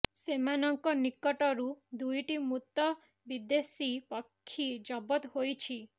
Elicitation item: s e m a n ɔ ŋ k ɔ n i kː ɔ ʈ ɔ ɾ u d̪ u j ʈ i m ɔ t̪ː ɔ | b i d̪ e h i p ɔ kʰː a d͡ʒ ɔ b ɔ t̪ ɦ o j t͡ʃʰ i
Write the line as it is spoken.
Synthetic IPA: s e m a n ɔ ŋ k ɔ n i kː ɔ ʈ ɔ ɾ u d̪ u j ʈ i m u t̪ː ɔ | b i d̪ e s i p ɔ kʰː i d͡ʒ ɔ b ɔ t̪ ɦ o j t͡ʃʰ i